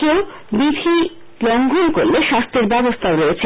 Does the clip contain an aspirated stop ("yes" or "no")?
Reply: yes